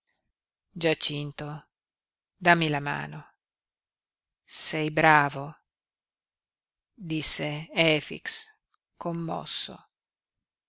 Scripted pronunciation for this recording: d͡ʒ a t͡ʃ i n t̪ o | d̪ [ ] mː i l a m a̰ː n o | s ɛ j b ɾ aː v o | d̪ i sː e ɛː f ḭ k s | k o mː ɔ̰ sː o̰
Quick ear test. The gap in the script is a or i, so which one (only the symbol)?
a